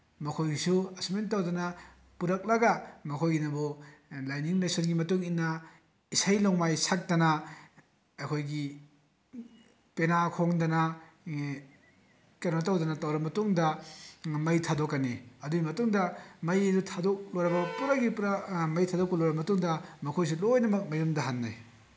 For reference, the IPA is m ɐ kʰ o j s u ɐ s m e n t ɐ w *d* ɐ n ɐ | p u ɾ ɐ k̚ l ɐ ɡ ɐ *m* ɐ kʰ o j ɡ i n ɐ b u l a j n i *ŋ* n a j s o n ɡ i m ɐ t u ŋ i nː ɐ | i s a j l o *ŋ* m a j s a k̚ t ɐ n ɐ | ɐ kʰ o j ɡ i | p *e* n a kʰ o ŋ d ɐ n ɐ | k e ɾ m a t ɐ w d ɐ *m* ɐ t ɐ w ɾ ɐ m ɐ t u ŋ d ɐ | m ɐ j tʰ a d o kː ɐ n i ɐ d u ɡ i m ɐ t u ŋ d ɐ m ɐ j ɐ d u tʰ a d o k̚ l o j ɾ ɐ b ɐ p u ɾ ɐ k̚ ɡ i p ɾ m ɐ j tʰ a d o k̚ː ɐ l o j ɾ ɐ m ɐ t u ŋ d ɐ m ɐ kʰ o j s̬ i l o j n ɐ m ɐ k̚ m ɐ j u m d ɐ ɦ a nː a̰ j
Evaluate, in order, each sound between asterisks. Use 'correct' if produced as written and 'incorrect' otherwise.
correct, correct, correct, correct, correct, incorrect: n

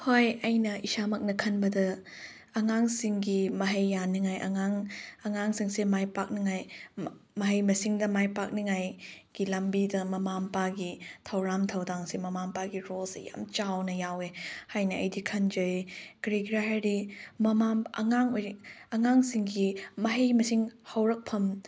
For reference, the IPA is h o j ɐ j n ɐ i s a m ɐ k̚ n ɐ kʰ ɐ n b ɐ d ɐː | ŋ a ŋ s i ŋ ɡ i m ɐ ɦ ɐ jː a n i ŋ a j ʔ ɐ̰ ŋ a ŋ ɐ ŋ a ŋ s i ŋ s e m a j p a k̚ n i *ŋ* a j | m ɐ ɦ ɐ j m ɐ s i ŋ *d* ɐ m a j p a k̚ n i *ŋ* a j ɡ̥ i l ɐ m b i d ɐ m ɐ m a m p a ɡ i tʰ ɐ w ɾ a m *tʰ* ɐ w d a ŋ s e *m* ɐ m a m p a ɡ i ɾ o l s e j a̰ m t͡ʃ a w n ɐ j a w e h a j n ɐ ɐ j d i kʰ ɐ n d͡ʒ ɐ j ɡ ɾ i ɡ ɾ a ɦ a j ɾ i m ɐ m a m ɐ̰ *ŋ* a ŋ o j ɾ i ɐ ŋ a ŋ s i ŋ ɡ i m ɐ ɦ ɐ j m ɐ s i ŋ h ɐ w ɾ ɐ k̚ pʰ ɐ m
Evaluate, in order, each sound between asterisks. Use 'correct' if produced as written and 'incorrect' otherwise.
correct, correct, correct, correct, correct, correct

